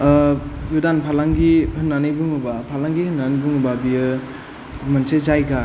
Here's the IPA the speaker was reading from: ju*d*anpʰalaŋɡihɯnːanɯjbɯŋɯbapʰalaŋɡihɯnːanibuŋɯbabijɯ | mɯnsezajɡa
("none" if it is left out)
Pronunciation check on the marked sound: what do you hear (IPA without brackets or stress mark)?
d